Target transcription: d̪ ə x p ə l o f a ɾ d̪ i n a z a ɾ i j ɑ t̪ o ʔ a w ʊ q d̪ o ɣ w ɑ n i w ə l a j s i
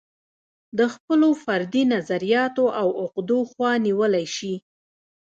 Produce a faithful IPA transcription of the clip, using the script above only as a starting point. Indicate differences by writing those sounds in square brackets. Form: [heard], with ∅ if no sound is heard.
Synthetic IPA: d̪ ə x p ə l o f a ɾ d̪ i n a z a ɾ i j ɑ t̪ o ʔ a w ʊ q d̪ o [x] w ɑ n i w ə l a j [ʃ] i